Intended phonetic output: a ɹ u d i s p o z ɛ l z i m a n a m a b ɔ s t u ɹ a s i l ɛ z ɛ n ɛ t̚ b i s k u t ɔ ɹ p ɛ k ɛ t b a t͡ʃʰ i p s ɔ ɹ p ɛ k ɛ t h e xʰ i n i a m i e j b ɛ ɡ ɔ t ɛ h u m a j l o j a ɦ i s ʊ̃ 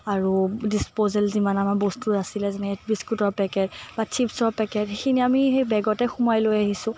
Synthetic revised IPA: a ɹ u d i s p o z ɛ l z i m a n a m a b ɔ s t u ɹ a s i l ɛ z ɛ n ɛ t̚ b i s k u t ɔ ɹ p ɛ k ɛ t b a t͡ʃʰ i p s ɔ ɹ p ɛ k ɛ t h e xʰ i n i a m i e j b ɛ ɡ ɔ t ɛ x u m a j l o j a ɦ i s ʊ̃